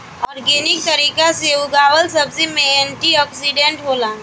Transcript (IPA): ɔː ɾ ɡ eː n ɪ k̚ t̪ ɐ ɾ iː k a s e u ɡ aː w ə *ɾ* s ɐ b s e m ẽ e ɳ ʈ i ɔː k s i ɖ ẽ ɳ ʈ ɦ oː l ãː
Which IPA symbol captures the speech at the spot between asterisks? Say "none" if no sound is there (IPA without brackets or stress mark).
l